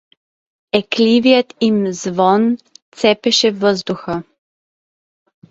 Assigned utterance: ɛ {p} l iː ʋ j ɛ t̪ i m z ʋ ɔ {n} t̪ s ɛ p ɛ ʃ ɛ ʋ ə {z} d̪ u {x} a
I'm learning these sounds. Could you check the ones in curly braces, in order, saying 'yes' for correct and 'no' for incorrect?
no, yes, yes, yes

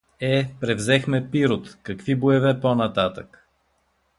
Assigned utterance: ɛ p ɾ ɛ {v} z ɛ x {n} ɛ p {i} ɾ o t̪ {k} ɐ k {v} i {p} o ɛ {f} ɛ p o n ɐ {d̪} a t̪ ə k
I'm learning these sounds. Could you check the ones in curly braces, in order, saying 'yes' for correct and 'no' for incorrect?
yes, no, yes, yes, yes, no, no, no

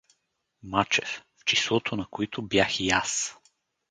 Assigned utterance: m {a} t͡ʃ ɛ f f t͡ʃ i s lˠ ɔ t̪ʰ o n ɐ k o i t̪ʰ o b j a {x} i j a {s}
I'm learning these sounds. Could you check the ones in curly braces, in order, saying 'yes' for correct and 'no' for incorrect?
yes, yes, yes

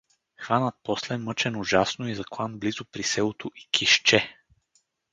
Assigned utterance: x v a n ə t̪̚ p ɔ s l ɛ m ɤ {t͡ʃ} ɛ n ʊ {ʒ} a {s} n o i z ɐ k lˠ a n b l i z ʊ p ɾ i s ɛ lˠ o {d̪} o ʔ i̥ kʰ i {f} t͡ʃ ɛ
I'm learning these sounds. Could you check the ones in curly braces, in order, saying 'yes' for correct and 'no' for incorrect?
yes, yes, yes, no, no

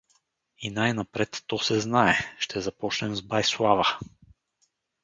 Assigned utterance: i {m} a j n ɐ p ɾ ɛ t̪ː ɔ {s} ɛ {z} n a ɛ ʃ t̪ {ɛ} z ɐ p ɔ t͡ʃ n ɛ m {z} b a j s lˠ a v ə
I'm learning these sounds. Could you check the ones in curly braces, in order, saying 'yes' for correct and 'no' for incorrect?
no, yes, yes, yes, yes

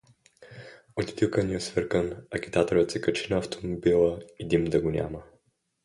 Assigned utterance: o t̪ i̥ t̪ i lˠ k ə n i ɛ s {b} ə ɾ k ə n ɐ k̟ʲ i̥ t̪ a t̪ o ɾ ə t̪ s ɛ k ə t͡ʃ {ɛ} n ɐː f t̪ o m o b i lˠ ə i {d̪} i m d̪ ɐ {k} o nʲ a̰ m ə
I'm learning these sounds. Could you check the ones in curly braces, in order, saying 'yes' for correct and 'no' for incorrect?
no, no, yes, no

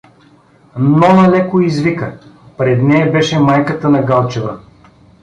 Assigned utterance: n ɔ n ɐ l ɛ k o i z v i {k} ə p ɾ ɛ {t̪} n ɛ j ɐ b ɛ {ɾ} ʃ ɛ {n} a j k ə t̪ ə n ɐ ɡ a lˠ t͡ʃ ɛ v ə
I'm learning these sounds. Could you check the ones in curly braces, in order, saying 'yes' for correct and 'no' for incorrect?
yes, no, no, no

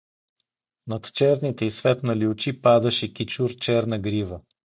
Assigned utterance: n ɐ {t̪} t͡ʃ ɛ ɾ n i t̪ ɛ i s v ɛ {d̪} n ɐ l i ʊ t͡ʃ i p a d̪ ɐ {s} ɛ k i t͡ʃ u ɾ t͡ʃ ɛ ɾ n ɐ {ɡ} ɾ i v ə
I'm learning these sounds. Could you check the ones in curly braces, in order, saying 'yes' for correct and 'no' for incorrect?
yes, no, no, yes

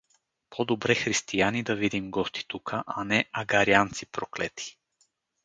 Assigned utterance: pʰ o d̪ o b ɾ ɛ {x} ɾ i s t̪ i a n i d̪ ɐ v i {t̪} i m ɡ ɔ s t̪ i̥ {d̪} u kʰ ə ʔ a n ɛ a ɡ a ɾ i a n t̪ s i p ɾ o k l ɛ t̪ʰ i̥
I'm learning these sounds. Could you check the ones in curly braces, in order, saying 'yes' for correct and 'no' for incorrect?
yes, no, no

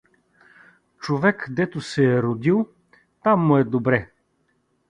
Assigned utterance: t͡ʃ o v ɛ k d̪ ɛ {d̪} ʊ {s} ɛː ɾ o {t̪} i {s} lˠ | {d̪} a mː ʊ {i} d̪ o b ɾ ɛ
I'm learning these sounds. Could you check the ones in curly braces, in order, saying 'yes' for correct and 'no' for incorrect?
no, yes, no, no, no, no

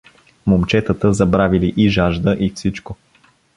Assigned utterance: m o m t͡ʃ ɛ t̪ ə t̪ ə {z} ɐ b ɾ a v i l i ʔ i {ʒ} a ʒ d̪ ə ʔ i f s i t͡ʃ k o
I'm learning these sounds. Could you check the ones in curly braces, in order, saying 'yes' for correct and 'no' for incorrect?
yes, yes

